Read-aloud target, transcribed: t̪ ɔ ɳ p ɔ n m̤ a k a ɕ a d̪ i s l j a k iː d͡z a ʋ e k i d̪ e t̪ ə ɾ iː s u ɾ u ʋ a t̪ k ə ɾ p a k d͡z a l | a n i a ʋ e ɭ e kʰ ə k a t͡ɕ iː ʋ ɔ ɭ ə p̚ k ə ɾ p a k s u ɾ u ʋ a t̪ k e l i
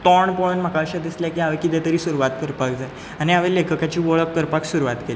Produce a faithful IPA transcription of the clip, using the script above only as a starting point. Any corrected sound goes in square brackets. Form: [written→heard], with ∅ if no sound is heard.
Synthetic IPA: t̪ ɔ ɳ p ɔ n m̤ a k a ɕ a d̪ i s l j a k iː [d͡z→∅] a ʋ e k i d̪ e t̪ ə ɾ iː s u ɾ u ʋ a t̪ k ə ɾ p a k d͡z a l | a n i a ʋ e [ɭ→l] e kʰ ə k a t͡ɕ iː ʋ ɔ ɭ ə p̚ k ə ɾ p a k s u ɾ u ʋ a t̪ k e l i

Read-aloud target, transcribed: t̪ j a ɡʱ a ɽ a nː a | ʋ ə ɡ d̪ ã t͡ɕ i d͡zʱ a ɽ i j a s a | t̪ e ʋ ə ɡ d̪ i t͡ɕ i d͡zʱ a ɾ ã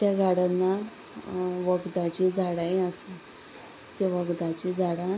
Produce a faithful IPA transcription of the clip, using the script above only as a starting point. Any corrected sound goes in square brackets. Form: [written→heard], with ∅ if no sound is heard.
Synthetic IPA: t̪ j a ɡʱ a ɽ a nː a | ʋ ə ɡ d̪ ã t͡ɕ i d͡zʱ a ɽ [i→a] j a s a | t̪ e ʋ ə ɡ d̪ [i→a] t͡ɕ i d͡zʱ a [ɾ→ɽ] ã

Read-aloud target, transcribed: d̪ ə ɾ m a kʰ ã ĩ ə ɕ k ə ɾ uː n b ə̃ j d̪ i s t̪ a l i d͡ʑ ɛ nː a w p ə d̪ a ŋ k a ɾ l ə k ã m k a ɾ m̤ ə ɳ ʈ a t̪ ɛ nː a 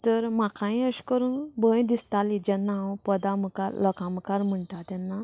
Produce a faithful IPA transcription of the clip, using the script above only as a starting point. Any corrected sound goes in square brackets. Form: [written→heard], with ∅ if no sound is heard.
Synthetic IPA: [d̪→t̪] ə ɾ m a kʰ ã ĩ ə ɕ k ə ɾ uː n b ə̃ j d̪ i s t̪ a l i d͡ʑ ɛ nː a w p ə d̪ a [ŋ→m] k a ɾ l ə k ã m k a ɾ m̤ ə ɳ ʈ a t̪ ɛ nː a

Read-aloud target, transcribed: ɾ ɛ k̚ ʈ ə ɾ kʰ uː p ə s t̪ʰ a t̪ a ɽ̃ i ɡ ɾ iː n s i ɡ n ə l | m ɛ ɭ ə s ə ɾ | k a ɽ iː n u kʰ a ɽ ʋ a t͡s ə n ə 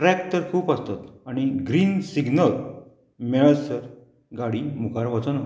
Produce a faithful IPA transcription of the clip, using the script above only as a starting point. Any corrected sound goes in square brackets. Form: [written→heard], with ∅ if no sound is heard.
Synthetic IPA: ɾ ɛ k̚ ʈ ə ɾ kʰ uː p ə s [t̪ʰ→t̪] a t̪ a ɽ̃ i ɡ ɾ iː n s i ɡ n ə l | m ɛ ɭ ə s ə ɾ | [k→ɡ] a ɽ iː [n→m] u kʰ a [ɽ→ɾ] ʋ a t͡s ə n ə

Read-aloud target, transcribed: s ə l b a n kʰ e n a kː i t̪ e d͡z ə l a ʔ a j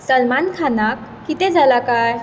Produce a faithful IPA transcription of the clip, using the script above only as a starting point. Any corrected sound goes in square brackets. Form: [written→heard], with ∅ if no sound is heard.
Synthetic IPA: s ə l [b→m] a n kʰ [e→a] n a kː i t̪ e d͡z [ə→a] l a [ʔ→k] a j

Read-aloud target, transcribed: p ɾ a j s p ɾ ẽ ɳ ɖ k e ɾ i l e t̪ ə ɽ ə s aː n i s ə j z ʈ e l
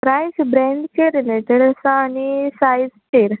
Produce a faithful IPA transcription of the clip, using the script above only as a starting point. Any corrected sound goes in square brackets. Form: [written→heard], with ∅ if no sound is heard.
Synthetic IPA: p ɾ a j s [p→b] ɾ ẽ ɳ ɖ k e ɾ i l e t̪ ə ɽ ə s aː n i s [ə→a] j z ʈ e [l→ɾ]

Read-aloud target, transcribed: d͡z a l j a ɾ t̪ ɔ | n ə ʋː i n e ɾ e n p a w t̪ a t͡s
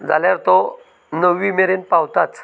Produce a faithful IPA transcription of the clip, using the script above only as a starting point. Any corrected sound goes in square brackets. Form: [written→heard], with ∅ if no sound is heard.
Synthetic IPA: d͡z a l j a ɾ t̪ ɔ | n ə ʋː i [n→m] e ɾ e n p a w t̪ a t͡s

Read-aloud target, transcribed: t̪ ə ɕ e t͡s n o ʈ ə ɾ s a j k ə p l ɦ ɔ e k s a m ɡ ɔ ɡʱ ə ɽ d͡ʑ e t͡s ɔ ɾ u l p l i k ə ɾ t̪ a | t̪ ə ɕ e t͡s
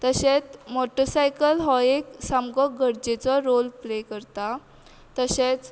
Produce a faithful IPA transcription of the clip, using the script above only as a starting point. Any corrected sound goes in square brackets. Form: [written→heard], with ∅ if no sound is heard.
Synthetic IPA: t̪ ə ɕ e t͡s [n→m] o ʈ ə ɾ s a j k ə [p→∅] l ɦ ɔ e k s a m ɡ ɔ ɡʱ ə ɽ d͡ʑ e t͡s ɔ ɾ [u→o] l p l [i→e] k ə ɾ t̪ a | t̪ ə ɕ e t͡s

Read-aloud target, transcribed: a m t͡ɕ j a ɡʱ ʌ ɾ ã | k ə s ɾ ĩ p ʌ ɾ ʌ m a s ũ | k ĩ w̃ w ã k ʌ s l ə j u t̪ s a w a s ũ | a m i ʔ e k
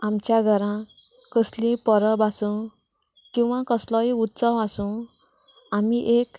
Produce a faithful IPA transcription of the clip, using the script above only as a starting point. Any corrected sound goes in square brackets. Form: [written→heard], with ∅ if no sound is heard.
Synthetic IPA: a m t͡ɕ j a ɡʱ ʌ ɾ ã | k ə s [ɾ→l] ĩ p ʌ ɾ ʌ [m→b] a s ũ | k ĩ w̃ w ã k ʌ s l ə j u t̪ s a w a s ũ | a m i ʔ e k

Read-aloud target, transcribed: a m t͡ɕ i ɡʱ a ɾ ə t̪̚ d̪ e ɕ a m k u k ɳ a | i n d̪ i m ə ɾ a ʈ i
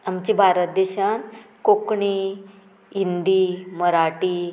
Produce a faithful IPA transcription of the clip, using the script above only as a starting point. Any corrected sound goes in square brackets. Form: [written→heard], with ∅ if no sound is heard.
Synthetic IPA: a m t͡ɕ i [ɡʱ→bʱ] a ɾ ə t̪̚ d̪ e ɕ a [m→n] k [u→o] k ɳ [a→i] | i n d̪ i m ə ɾ a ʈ i

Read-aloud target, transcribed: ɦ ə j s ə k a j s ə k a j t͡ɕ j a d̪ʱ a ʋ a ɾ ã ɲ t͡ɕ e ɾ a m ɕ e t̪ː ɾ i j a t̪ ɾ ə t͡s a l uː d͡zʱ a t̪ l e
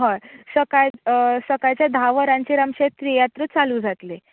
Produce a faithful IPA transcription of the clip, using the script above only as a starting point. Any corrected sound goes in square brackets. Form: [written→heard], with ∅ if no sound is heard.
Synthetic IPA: ɦ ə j s ə k a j s ə k a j t͡ɕ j a d̪ʱ a ʋ [a→ə] ɾ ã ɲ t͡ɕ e ɾ a m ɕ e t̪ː ɾ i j a t̪ ɾ ə t͡s a l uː d͡zʱ a t̪ l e

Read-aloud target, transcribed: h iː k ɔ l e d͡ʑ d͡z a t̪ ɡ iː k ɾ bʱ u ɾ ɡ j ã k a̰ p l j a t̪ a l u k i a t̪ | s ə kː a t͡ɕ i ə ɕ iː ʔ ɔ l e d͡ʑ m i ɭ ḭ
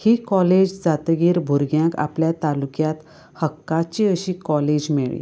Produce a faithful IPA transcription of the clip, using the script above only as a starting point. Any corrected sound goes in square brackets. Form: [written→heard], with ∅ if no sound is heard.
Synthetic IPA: h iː k ɔ l e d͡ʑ d͡z a t̪ ɡ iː [k→∅] ɾ bʱ u ɾ ɡ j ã k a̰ p l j a t̪ a l u k [i→j] a t̪ | [s→h] ə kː a t͡ɕ i ə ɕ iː [ʔ→k] ɔ l e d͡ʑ m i ɭ ḭ

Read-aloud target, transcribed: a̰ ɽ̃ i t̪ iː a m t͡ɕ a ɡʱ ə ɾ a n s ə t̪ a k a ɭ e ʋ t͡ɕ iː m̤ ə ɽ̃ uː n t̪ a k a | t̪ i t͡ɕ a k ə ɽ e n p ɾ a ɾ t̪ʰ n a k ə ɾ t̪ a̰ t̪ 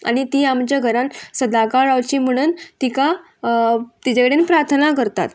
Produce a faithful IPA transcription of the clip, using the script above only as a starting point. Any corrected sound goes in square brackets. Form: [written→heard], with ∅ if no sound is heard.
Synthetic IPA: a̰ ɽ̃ i t̪ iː a m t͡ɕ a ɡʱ ə ɾ a n s ə [t̪→d̪] a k a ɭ [e→a] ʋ t͡ɕ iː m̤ ə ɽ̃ uː n t̪ [a→i] k a | t̪ i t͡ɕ a k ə ɽ e n p ɾ a ɾ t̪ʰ n a k ə ɾ t̪ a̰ t̪

